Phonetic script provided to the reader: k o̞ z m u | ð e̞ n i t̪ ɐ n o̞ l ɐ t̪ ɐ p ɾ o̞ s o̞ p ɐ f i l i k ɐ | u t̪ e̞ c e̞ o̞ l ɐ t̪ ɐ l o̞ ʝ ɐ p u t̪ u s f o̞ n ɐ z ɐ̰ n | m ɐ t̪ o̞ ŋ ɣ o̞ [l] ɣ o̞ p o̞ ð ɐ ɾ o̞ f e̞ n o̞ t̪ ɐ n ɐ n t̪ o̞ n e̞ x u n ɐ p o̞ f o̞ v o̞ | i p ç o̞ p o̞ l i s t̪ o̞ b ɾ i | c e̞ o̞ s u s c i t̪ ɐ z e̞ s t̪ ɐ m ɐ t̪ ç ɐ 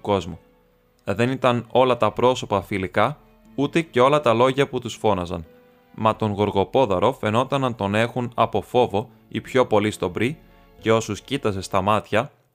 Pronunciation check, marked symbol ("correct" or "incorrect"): incorrect